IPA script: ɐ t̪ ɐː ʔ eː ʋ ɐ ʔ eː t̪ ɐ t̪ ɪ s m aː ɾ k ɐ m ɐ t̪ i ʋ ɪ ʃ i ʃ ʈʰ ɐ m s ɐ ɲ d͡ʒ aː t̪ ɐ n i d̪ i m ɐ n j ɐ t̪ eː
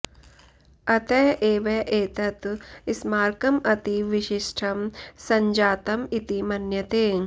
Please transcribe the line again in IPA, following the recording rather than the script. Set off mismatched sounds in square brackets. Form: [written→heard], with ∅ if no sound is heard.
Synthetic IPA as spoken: ɐ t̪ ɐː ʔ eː ʋ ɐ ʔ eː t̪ ɐ t̪ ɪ s m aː ɾ k ɐ m ɐ t̪ i ʋ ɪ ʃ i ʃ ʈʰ ɐ m s ɐ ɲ d͡ʒ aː t̪ ɐ [n→m] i [d̪→t̪] i m ɐ n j ɐ t̪ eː